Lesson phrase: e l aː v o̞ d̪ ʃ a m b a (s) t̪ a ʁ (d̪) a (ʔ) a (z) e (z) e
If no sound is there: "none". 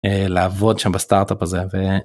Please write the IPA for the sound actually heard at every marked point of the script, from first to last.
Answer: s, t̪, p, z, v

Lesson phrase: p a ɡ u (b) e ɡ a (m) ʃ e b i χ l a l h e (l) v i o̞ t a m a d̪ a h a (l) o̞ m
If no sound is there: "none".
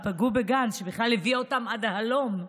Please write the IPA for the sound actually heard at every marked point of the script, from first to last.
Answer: b, n, none, l

